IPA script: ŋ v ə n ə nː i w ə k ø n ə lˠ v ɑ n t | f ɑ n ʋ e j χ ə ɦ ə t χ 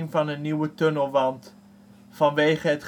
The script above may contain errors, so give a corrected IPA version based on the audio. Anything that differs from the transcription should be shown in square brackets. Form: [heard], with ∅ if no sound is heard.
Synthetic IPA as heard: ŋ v [ɑ] n ə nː i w ə [t] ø n ə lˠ [ʋ] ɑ n t | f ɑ n ʋ e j χ ə ɦ ə t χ